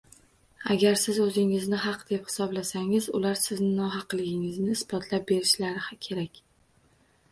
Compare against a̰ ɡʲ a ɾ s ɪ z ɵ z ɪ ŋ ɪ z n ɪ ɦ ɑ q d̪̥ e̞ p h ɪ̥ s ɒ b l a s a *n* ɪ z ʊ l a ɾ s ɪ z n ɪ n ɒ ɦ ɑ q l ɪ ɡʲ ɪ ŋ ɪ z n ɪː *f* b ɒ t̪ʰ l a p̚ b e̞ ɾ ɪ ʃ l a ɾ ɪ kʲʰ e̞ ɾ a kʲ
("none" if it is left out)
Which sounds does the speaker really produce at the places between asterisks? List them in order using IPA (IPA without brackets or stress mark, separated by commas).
ŋ, s